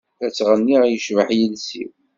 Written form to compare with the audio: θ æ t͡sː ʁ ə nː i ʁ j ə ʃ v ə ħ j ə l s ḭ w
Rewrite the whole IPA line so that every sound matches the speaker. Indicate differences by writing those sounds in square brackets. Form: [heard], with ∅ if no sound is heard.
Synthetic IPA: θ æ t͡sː ʁ ə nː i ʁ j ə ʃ v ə ħ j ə l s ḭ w